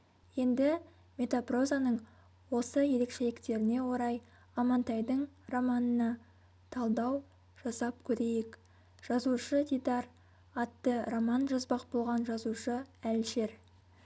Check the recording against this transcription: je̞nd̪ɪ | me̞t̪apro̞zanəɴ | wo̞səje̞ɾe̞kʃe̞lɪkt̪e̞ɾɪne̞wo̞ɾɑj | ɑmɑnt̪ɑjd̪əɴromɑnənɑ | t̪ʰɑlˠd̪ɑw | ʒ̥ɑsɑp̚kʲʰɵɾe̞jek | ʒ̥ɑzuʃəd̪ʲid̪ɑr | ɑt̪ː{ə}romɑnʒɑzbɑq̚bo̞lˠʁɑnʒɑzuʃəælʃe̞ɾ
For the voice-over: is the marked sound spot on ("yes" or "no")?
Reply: yes